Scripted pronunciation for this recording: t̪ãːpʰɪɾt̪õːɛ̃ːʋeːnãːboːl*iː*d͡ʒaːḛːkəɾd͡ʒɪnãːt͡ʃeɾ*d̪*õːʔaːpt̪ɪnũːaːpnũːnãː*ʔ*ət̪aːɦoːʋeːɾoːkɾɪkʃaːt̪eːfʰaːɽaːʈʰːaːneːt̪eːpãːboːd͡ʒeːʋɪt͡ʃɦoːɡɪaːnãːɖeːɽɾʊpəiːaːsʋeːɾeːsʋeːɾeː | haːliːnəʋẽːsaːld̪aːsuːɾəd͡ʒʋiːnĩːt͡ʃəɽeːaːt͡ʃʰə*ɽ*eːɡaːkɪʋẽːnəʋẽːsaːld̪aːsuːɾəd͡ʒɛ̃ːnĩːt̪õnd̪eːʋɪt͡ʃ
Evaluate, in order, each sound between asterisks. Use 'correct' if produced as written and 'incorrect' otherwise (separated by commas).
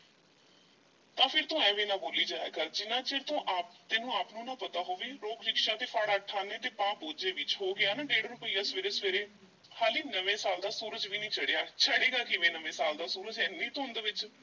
correct, incorrect, incorrect, correct